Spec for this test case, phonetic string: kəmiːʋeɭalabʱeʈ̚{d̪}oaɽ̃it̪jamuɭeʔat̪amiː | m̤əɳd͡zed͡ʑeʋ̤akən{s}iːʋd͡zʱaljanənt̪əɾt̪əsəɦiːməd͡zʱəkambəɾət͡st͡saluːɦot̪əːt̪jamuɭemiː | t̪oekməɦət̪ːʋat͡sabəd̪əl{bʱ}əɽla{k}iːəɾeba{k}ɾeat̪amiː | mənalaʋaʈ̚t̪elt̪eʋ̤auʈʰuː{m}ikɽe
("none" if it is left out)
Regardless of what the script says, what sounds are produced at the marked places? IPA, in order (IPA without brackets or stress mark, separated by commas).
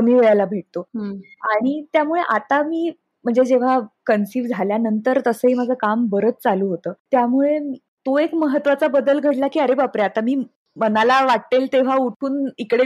t̪, s, ɡʱ, k, p, n